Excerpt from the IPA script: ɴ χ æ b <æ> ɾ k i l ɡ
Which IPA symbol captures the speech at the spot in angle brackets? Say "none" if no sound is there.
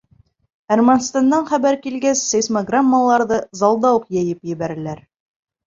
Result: æ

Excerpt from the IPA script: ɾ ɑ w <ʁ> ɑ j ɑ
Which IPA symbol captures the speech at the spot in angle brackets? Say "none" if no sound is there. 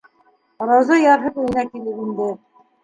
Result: z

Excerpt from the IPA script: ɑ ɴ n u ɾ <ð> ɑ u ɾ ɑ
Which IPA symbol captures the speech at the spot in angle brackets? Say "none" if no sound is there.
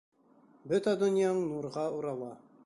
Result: ʁ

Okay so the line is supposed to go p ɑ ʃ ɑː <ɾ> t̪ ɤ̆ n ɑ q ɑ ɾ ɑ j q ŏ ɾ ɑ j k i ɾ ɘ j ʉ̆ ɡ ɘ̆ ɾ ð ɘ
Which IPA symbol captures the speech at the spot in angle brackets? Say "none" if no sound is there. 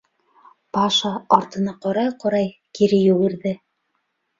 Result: ɾ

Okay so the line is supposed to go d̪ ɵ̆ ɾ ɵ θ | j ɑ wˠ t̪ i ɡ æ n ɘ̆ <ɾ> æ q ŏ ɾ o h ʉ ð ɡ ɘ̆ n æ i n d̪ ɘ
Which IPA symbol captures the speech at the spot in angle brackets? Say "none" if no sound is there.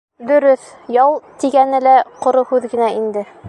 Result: l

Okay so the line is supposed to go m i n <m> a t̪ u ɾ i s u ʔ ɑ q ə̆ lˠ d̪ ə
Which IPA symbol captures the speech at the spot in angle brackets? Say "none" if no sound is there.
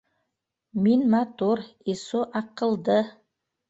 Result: m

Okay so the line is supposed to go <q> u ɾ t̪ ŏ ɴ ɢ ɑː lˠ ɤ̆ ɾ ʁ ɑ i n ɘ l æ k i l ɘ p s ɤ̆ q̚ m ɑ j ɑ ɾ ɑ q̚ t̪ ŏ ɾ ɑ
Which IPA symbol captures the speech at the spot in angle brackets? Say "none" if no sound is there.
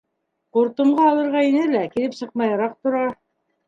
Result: q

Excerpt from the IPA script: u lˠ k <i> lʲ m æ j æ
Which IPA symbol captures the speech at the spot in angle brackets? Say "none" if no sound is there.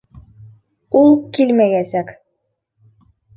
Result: i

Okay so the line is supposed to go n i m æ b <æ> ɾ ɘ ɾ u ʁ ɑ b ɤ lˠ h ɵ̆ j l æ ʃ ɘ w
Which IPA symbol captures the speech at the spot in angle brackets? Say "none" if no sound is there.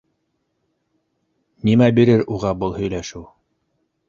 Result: i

